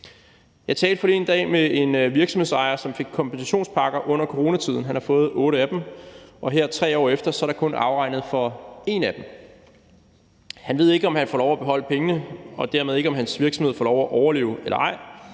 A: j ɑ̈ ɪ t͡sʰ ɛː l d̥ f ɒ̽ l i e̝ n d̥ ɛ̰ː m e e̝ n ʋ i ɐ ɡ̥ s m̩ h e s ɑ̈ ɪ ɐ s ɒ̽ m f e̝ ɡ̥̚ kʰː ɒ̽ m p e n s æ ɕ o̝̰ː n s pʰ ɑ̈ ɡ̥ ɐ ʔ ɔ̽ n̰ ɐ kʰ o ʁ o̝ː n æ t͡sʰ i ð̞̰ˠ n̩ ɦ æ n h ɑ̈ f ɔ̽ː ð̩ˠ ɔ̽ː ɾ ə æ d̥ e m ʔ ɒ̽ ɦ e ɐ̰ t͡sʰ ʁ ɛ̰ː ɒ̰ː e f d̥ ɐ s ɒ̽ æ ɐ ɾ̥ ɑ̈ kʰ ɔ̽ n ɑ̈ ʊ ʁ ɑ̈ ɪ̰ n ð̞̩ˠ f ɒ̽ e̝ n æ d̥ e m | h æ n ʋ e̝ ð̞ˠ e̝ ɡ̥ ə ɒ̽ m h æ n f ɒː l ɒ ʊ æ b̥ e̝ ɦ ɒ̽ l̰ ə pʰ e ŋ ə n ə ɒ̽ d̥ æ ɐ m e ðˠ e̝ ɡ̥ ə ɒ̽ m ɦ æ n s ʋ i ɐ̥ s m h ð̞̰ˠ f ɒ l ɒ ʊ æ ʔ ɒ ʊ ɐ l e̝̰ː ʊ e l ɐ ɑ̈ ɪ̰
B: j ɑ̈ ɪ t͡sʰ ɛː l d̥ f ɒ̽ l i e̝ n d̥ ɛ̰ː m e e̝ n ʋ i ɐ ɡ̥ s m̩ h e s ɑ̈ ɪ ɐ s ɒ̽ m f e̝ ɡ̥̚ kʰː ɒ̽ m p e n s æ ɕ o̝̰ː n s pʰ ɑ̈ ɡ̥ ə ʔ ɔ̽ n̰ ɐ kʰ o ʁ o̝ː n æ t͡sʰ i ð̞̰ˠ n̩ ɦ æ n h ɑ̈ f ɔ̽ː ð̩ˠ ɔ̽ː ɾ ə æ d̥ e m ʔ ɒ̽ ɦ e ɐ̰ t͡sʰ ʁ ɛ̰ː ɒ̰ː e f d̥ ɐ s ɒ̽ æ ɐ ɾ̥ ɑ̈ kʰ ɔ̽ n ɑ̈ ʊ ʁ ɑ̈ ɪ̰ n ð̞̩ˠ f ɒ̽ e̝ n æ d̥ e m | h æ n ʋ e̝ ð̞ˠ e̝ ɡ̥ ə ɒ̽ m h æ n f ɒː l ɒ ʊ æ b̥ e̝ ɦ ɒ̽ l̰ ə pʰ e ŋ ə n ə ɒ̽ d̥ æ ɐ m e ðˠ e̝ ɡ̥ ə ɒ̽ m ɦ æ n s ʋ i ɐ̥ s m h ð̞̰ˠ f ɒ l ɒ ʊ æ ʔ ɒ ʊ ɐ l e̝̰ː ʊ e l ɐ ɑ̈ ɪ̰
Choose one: A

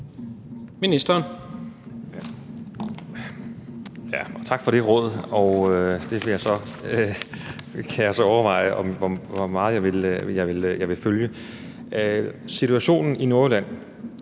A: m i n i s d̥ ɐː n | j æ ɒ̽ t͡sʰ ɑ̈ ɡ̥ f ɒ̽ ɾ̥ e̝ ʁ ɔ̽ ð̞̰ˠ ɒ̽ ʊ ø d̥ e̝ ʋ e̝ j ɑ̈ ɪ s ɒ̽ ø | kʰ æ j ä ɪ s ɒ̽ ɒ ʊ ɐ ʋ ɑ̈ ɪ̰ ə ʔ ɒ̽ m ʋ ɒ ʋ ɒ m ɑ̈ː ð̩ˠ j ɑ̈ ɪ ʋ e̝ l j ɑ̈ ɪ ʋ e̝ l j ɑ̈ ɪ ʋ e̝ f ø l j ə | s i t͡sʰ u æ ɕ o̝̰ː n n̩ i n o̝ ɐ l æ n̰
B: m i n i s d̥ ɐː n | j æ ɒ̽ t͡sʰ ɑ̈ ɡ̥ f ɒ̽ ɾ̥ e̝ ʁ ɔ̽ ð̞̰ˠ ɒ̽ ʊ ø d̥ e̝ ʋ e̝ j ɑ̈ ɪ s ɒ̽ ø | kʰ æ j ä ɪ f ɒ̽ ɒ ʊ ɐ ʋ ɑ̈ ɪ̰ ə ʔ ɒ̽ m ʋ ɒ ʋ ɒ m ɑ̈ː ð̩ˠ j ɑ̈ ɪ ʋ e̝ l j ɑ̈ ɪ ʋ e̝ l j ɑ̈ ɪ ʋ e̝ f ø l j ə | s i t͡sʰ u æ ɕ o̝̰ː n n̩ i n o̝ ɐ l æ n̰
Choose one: A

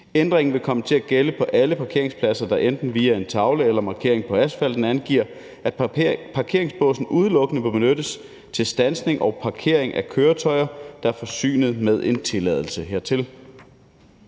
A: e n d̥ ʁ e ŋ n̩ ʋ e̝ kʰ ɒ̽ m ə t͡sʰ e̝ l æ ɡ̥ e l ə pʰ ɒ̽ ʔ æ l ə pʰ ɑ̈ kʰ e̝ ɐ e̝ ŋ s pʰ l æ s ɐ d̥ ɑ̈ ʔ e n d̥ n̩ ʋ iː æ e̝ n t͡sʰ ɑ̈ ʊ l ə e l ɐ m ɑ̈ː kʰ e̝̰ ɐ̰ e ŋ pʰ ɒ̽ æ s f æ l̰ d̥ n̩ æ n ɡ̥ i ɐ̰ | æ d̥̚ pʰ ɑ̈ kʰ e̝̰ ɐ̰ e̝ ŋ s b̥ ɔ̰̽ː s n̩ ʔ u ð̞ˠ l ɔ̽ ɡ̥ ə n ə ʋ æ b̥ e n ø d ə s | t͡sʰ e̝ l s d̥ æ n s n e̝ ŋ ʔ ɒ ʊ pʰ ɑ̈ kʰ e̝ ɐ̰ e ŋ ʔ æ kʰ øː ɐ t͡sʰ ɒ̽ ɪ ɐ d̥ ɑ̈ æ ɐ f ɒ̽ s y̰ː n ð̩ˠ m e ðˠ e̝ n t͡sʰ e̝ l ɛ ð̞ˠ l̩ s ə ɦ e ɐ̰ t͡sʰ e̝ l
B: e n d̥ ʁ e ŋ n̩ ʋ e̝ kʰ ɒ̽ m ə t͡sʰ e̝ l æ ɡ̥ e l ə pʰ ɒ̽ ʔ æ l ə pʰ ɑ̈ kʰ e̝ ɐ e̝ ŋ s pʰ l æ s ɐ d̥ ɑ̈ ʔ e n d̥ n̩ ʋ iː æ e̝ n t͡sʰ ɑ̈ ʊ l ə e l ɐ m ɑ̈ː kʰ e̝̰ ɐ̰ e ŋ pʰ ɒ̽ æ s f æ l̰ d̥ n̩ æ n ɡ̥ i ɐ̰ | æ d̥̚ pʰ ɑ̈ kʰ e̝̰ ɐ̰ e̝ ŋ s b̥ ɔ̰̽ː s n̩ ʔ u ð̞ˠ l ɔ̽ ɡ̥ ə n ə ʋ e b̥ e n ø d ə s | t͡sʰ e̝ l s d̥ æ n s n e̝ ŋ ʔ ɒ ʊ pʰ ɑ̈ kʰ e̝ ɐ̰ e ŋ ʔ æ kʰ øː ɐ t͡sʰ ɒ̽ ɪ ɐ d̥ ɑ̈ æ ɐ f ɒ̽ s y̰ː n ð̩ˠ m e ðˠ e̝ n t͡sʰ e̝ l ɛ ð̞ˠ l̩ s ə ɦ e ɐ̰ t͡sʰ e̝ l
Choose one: B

